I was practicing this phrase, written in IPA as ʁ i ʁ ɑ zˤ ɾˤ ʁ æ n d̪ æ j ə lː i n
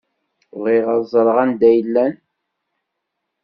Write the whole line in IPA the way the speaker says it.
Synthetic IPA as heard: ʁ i ʁ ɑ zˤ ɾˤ ʁ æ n d̪ æ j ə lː æ n